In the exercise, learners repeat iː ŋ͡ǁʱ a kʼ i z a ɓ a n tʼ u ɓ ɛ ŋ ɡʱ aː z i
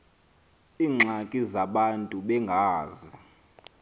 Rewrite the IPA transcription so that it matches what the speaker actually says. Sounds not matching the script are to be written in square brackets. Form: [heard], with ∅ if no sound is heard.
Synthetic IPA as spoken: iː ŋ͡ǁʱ a kʼ i z a ɓ a n tʼ u ɓ ɛ ŋ ɡʱ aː z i